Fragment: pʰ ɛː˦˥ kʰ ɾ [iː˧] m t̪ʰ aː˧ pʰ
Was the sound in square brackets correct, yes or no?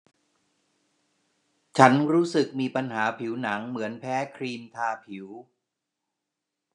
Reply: yes